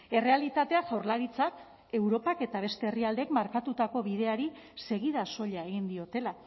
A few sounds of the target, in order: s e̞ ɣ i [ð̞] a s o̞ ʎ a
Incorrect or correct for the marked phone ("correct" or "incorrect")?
correct